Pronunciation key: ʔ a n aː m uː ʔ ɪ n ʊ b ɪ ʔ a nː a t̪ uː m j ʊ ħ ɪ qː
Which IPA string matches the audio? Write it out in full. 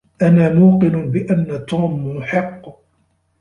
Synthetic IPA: ʔ a n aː m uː q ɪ n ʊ b ɪ ʔ a nː a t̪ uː m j ʊ ħ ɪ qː